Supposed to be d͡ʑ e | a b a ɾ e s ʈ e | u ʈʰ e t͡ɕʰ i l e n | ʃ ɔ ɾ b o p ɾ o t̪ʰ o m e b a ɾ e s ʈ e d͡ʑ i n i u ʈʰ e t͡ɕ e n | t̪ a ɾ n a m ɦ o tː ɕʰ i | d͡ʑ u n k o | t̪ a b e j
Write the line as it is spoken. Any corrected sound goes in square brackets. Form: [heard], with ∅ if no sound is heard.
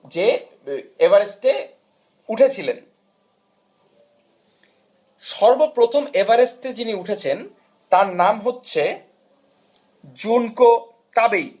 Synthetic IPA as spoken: d͡ʑ e | [e] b a ɾ e s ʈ e | u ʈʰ e t͡ɕʰ i l e n | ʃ ɔ ɾ b o p ɾ o t̪ʰ o m e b a ɾ e s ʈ e d͡ʑ i n i u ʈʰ e [t͡ɕʰ] e n | t̪ a ɾ n a m ɦ o tː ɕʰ [e] | d͡ʑ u n k o | t̪ a b e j

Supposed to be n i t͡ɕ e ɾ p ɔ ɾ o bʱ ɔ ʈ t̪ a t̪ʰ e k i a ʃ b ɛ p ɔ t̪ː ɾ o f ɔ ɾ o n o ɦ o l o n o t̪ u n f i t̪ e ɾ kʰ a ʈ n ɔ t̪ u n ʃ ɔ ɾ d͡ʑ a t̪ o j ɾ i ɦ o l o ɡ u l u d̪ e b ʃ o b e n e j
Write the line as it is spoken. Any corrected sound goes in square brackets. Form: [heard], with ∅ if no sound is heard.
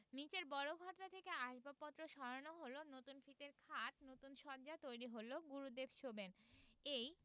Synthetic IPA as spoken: n i t͡ɕ e ɾ [b] ɔ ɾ o [ɡʱ] ɔ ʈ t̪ a t̪ʰ e k [e] a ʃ b [a] p ɔ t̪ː ɾ o [ʃ] ɔ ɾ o n o ɦ o l o n o t̪ u n f i t̪ e ɾ kʰ a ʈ n [o] t̪ u n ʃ ɔ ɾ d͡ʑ a t̪ o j ɾ i ɦ o l o ɡ u [ɾ] u d̪ e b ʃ o b e n e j

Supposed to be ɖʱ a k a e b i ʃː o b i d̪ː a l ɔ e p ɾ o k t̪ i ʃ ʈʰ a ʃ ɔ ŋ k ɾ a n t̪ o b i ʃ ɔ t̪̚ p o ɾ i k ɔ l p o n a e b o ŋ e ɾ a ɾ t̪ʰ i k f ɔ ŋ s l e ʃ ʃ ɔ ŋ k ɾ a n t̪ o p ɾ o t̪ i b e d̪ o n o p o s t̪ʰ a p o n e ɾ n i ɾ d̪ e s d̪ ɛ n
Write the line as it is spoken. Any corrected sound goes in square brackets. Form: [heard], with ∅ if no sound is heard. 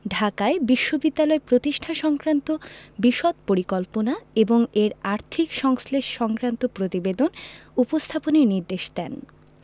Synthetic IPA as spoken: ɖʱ a k a e b i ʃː o b i d̪ː a l ɔ e p ɾ o [∅] t̪ i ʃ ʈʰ a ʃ ɔ ŋ k ɾ a n t̪ o b i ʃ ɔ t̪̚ p o ɾ i k ɔ l p o n a e b o ŋ e ɾ a ɾ t̪ʰ i k [ʃ] ɔ ŋ s l e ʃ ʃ ɔ ŋ k ɾ a n t̪ o p ɾ o t̪ i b e d̪ o n [u] p o s t̪ʰ a p o n e ɾ n i ɾ d̪ e [ʃ] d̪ ɛ n

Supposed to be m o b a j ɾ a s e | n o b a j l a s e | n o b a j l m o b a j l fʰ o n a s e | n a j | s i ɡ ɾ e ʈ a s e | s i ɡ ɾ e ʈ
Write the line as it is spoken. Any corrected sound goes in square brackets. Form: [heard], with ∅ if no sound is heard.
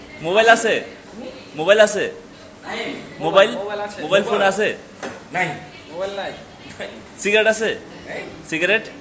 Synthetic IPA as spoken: m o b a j [l] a s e | [m] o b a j l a s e | [m] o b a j l m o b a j l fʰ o n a s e | n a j | s i ɡ ɾ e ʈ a s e | s i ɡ ɾ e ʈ

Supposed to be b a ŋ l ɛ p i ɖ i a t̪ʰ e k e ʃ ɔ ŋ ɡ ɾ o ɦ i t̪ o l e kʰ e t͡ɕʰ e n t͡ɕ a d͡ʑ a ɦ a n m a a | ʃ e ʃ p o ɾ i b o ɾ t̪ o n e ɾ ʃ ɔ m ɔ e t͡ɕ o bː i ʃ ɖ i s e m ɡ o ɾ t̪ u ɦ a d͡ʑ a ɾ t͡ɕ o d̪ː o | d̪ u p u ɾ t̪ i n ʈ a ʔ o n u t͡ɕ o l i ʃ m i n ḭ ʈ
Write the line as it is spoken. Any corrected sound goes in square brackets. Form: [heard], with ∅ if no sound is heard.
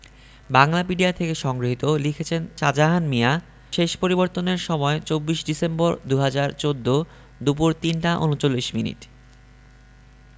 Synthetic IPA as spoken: b a ŋ l [a] p i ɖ i a t̪ʰ e k e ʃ ɔ ŋ ɡ ɾ o ɦ i t̪ o l [i] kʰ e t͡ɕʰ e n t͡ɕ a d͡ʑ a ɦ a n m [i] a | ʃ e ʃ p o ɾ i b o ɾ t̪ o n e ɾ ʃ ɔ m ɔ e t͡ɕ o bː i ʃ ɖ i s e m [b] o ɾ [d̪] u ɦ a d͡ʑ a ɾ t͡ɕ o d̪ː o | d̪ u p u ɾ t̪ i n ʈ a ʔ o n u t͡ɕ o [lː] i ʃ m i n ḭ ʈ

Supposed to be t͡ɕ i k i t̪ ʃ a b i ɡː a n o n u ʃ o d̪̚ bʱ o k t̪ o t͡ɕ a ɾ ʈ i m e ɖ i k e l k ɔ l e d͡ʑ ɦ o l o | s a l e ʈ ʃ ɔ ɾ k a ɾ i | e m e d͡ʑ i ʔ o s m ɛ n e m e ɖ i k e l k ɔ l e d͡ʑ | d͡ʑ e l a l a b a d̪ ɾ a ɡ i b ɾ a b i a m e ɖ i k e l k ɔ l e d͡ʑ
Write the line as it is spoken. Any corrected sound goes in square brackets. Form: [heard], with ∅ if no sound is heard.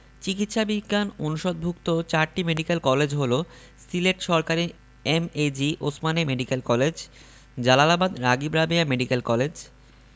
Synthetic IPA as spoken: t͡ɕ i k i t̪ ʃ a b i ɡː a n o n u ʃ o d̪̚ bʱ [u] k t̪ o t͡ɕ a ɾ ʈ i m e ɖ i k e l k ɔ l e d͡ʑ ɦ o l o | s [i] l e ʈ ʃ ɔ ɾ k a ɾ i | e m e d͡ʑ i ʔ o s m [a] n e m e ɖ i k e l k ɔ l e d͡ʑ | d͡ʑ [a] l a l a b a d̪ ɾ a ɡ i b ɾ a b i a m e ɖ i k e l k ɔ l e d͡ʑ

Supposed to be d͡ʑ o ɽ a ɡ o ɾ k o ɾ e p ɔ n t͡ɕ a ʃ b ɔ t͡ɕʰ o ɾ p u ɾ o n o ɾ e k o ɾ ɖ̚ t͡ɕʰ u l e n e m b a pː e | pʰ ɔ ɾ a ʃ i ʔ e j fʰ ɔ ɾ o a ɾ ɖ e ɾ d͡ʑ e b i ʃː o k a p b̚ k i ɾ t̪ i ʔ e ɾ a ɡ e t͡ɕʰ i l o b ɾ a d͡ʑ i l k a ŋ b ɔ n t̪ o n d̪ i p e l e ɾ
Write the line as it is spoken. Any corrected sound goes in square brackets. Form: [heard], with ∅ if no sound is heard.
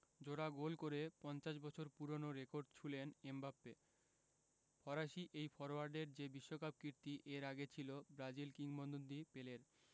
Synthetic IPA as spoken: d͡ʑ o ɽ a ɡ o [l] k o ɾ e p ɔ n t͡ɕ a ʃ b ɔ t͡ɕʰ o ɾ p u ɾ o n o ɾ e k o ɾ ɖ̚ t͡ɕʰ u l e n e m b a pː e | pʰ ɔ ɾ a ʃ i ʔ e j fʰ ɔ ɾ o a ɾ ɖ e ɾ d͡ʑ e b i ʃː o k a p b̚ k i ɾ t̪ i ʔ e ɾ a ɡ e t͡ɕʰ i l o b ɾ a d͡ʑ i l k [i] ŋ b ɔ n [d̪] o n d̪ i p e l e ɾ

